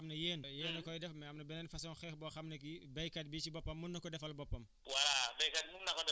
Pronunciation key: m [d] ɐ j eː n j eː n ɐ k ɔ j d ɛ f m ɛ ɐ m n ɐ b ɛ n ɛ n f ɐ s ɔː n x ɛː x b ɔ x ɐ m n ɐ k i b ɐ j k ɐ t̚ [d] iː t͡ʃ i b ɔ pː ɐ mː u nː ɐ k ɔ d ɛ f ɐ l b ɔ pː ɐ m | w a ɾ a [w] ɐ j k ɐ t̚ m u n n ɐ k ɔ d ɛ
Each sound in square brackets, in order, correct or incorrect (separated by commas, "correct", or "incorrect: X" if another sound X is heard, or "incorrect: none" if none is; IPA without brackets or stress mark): incorrect: n, incorrect: b, incorrect: b